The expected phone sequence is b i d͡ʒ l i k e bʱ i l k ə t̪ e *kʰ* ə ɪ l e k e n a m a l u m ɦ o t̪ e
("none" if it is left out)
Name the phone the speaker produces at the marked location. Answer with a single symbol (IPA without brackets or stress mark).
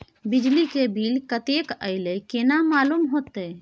k